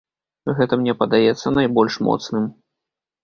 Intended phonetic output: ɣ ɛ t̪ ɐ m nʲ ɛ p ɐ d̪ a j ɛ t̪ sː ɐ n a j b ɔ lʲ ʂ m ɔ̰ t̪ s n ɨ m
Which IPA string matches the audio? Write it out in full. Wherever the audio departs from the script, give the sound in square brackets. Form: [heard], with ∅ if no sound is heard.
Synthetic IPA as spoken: ɣ ɛ t̪ ɐ m nʲ ɛ p ɐ d̪ a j ɛ t̪ sː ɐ n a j b ɔ lʲ ʂ m ɔ̰ t̪ s n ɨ m